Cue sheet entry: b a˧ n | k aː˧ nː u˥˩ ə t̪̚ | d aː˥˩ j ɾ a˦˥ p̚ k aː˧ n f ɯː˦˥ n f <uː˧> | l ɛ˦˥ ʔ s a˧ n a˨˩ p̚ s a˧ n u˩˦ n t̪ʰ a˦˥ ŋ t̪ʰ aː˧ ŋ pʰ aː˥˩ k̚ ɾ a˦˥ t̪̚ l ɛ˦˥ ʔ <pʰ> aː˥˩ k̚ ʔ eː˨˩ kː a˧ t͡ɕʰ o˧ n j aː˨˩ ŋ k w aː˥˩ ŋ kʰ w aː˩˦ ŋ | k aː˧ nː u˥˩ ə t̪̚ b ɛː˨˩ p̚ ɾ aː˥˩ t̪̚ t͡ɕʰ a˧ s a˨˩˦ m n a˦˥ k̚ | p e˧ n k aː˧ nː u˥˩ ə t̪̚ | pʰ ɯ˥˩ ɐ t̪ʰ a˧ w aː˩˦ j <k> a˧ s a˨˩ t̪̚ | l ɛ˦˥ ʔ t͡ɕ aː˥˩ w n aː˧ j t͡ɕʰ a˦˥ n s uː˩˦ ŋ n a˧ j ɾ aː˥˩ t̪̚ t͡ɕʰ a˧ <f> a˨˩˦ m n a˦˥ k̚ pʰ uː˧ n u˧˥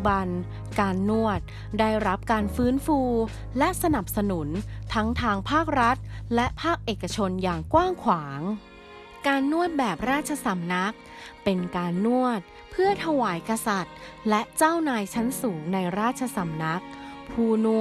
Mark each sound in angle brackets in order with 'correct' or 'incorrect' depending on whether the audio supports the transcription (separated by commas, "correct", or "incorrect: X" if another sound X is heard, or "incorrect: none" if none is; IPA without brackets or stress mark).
correct, correct, correct, incorrect: s